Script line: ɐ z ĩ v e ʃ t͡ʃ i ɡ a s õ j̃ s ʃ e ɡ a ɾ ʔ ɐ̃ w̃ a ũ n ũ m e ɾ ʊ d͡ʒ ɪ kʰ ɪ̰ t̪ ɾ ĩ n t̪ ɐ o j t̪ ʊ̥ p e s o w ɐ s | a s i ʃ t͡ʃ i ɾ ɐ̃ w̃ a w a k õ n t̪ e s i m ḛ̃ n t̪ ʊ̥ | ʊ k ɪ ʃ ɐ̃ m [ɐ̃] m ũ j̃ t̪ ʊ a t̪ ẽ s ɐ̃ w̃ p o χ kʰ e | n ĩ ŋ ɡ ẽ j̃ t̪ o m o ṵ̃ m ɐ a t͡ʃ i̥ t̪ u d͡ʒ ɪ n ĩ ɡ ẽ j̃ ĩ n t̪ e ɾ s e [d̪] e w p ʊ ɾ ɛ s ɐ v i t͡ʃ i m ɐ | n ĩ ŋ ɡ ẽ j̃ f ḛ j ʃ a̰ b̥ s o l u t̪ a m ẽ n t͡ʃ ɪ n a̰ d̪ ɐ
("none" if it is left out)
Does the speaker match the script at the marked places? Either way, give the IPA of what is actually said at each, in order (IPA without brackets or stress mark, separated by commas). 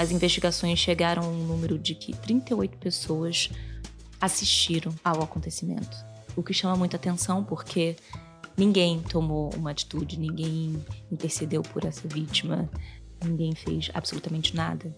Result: ɐ, d̪